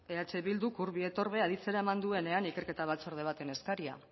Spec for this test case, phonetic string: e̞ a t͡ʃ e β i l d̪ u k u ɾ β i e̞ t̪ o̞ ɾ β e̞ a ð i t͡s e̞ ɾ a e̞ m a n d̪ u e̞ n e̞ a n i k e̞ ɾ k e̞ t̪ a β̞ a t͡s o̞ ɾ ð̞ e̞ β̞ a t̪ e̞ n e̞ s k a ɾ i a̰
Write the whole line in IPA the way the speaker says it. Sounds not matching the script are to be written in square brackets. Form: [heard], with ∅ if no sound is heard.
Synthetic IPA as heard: e̞ a t͡ʃ e β i l d̪ u k u ɾ β i e̞ t̪ o̞ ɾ β e̞ a ð i t͡s e̞ ɾ a e̞ m a n d̪ u e̞ n e̞ a n i k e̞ ɾ k e̞ t̪ a β̞ a t͡s o̞ ɾ ð̞ e̞ β̞ a t̪ e̞ n e̞ s k a ɾ i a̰